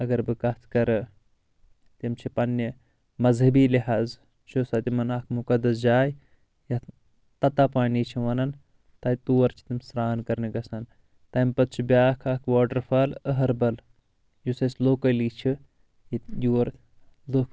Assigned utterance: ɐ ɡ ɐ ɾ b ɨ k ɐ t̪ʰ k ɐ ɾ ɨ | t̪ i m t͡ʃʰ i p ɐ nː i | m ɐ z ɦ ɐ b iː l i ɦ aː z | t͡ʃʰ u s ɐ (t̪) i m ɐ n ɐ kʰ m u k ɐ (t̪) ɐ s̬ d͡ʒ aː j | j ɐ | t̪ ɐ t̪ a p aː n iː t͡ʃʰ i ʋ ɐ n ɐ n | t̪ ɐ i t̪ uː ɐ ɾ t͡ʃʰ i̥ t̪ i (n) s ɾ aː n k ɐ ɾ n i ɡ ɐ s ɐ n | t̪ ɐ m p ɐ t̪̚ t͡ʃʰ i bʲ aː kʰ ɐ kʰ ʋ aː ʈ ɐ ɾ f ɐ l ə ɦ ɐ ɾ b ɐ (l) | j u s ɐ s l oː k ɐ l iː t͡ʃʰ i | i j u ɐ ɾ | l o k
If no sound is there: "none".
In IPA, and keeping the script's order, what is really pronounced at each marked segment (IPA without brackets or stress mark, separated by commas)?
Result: t̪, d̪, m, l